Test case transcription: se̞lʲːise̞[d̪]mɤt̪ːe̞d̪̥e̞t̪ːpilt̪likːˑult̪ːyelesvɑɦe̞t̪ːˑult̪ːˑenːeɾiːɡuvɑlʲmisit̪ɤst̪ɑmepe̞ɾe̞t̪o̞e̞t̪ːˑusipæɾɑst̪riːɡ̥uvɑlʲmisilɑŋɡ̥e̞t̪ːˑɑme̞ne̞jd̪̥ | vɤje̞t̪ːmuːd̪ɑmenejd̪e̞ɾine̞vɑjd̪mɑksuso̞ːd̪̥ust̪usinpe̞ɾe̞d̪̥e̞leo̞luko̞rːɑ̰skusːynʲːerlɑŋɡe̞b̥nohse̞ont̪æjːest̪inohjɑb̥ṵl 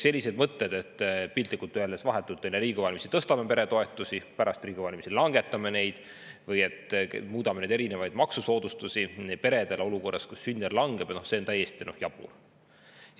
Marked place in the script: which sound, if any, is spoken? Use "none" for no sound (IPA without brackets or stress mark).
d̪